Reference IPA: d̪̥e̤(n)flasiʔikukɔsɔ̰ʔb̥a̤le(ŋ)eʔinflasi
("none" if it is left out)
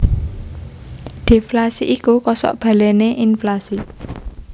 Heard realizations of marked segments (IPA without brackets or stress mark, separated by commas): none, n